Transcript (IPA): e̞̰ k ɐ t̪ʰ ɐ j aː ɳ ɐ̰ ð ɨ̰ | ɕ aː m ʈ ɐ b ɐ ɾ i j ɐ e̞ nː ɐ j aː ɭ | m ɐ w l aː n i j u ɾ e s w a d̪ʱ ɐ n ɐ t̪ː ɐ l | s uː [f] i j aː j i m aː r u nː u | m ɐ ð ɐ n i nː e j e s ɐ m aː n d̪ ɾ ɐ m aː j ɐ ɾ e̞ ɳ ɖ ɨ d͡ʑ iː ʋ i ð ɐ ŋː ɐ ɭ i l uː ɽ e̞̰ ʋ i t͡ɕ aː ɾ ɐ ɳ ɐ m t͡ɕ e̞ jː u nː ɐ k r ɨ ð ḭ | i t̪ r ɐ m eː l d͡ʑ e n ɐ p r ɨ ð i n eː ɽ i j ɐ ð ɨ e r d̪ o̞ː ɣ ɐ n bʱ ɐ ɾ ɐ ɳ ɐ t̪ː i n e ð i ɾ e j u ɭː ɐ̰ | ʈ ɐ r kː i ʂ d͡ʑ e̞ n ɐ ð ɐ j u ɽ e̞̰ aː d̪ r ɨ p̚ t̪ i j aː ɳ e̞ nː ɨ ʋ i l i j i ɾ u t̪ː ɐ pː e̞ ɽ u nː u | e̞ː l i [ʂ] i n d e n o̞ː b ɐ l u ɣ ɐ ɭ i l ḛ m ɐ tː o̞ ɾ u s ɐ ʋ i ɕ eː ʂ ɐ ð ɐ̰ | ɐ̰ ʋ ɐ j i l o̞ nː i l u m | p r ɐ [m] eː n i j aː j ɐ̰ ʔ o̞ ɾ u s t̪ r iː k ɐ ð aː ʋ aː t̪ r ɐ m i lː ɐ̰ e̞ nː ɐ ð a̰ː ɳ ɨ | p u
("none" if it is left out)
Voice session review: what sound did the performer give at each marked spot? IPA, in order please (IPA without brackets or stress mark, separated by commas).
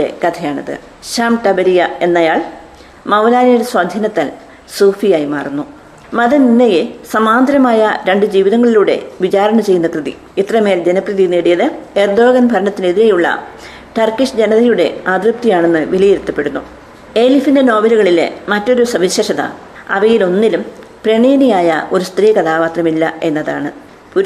f, f, ɳ